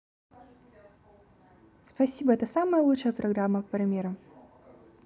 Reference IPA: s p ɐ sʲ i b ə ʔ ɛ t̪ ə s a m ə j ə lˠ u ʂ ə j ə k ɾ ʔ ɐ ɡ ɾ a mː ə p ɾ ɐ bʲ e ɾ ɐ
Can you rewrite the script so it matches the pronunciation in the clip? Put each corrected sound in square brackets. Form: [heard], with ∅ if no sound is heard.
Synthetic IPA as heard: s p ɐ sʲ i b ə [∅] ɛ t̪ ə s a m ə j ə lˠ u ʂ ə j ə [p] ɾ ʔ ɐ ɡ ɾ a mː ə p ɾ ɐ [mʲ] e ɾ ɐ